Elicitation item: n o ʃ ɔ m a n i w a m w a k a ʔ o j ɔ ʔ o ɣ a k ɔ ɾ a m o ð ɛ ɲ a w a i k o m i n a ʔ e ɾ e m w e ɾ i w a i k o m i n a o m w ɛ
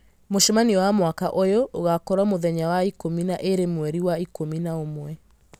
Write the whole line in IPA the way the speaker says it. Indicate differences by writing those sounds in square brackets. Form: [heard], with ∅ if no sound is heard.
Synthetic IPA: [m] o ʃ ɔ m a n i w a m w a k a ʔ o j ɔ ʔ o ɣ a k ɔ ɾ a m o ð ɛ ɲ a w a i k o m i n a ʔ e ɾ e m w [ɛ] ɾ i w a i k o m i n a o m w ɛ